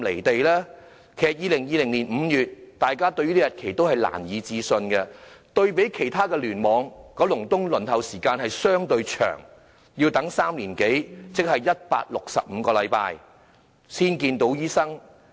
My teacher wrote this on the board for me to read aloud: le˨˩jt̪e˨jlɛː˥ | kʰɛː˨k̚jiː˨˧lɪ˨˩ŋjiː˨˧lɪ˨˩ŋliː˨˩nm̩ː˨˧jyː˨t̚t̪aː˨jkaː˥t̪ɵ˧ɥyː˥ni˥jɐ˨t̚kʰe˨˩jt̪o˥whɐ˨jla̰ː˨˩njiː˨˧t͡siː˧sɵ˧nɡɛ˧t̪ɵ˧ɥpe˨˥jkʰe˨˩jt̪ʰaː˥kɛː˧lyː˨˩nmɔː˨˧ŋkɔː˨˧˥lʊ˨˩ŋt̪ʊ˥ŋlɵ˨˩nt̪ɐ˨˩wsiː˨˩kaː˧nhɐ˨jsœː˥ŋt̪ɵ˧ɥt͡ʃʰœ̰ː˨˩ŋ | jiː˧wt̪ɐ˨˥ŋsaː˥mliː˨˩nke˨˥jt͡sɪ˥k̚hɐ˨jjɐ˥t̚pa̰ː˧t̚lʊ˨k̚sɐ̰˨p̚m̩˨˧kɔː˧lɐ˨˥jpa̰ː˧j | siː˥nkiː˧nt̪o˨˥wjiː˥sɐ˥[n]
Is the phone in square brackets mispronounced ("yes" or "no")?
yes